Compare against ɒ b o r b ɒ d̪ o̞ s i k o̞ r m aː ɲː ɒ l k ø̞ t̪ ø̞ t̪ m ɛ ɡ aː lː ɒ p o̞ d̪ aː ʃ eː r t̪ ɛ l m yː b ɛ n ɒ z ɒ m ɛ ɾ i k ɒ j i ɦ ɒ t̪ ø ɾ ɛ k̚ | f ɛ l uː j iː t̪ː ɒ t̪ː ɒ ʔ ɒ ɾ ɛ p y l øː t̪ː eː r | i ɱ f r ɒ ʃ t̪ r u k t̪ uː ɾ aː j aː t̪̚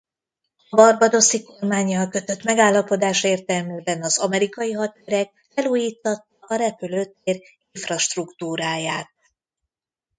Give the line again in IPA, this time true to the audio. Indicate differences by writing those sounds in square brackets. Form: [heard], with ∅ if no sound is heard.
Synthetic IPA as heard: ɒ b [ɒ] r b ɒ d̪ o̞ s i k o̞ r m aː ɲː ɒ l k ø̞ t̪ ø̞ t̪ m ɛ ɡ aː lː ɒ p o̞ d̪ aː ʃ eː r t̪ ɛ l m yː b ɛ n ɒ z ɒ m ɛ ɾ i k ɒ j i ɦ ɒ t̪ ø ɾ ɛ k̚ | f ɛ l uː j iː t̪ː ɒ t̪ː ɒ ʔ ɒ ɾ ɛ p y l øː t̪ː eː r | i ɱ f r ɒ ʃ t̪ r u k t̪ uː ɾ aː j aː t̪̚